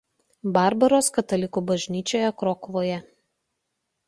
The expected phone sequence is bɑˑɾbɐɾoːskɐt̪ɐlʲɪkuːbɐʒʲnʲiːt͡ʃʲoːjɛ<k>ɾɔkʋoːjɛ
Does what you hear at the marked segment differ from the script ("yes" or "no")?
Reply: no